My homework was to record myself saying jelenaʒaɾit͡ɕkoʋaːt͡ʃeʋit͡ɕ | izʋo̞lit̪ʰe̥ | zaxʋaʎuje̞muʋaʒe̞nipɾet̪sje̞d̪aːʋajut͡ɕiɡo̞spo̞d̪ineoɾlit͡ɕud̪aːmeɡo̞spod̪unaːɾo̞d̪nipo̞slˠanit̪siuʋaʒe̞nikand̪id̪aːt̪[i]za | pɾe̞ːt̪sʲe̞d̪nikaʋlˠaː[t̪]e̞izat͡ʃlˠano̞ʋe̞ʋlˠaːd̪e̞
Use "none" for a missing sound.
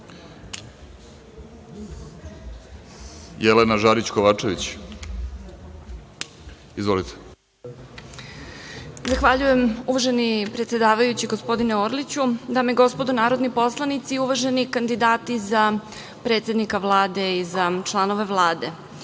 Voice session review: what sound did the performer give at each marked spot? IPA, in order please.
i, d̪

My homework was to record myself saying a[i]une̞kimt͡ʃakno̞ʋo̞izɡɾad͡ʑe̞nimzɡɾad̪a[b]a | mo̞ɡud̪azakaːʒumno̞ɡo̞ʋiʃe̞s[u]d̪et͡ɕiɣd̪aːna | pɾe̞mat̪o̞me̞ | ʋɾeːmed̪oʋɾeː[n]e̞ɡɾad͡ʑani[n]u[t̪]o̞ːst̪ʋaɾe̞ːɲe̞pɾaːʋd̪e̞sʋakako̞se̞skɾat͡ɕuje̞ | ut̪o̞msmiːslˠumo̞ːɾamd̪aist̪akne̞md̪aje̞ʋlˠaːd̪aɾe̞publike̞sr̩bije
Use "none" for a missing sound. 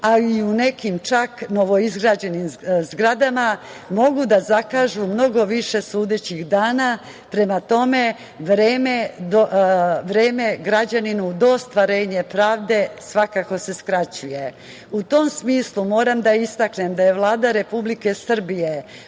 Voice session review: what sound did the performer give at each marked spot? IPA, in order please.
i, m, uː, m, n, d̪

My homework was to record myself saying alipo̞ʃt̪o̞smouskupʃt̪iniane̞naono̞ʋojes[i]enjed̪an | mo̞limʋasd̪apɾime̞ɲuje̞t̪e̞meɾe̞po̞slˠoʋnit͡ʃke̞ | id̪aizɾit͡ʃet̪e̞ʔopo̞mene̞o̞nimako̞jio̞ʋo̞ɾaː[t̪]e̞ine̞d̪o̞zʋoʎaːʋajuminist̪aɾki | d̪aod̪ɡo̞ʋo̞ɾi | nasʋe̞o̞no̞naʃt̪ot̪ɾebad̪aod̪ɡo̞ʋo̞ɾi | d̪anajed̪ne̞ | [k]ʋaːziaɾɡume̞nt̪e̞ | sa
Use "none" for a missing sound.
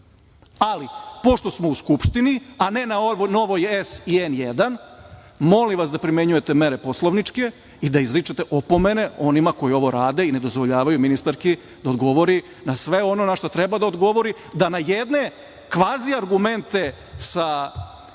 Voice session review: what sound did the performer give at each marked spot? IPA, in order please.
i, d̪, k

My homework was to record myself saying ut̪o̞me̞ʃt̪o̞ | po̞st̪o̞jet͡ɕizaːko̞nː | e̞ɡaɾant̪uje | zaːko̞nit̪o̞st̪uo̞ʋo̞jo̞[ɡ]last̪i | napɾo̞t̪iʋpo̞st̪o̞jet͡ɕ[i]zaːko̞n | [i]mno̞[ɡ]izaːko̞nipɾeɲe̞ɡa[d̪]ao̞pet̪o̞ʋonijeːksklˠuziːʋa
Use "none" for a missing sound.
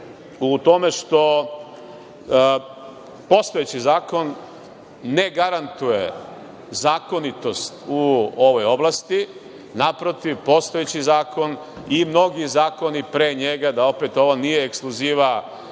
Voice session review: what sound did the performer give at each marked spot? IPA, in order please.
b, i, i, ɡ, d̪

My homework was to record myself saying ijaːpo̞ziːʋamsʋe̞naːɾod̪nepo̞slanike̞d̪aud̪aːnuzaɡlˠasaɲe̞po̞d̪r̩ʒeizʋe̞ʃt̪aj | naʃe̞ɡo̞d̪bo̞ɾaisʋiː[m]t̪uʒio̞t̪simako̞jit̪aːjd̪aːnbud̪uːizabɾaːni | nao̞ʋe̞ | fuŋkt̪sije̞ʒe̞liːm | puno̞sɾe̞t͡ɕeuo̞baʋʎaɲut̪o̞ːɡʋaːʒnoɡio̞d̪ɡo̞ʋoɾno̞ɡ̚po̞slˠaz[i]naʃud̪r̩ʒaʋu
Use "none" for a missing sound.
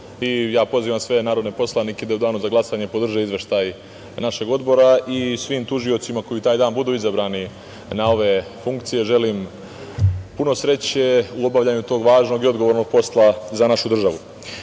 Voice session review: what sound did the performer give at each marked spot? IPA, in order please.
m, a

